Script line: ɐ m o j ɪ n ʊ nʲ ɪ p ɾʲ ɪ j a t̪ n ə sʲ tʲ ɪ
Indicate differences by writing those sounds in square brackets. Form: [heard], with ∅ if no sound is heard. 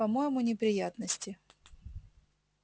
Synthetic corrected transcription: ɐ m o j ɪ [m] ʊ nʲ ɪ p ɾʲ ɪ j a t̪ n ə sʲ tʲ ɪ